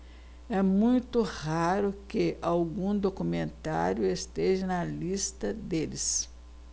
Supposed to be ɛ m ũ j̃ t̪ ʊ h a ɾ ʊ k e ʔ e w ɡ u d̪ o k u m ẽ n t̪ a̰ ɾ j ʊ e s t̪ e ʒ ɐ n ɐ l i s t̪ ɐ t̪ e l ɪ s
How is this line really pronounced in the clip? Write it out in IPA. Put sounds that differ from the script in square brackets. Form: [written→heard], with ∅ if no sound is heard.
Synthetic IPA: ɛ m ũ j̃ t̪ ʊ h a ɾ ʊ k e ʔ [e→a] w ɡ [u→ũ] d̪ o k u m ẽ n t̪ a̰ ɾ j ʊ e s t̪ e ʒ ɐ n ɐ l i s t̪ ɐ [t̪→d̪] e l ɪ s